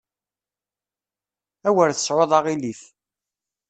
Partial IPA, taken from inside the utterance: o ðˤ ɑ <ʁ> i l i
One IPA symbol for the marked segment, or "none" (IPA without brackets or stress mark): ʁ